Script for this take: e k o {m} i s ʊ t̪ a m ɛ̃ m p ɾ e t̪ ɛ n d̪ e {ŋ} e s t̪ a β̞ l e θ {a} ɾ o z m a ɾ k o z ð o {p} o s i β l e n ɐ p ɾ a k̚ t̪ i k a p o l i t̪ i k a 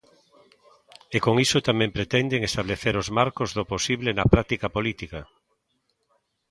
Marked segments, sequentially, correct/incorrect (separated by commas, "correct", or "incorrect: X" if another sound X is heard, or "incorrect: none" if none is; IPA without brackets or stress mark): incorrect: ŋ, correct, incorrect: e, correct